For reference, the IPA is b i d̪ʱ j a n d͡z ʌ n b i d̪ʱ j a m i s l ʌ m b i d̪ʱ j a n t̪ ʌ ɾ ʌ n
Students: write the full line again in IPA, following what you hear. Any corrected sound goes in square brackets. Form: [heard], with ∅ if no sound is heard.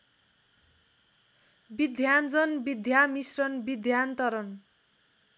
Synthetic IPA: b i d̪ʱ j a n d͡z ʌ n b i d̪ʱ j a m i s [r] ʌ [n] b i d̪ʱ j a n t̪ ʌ ɾ ʌ n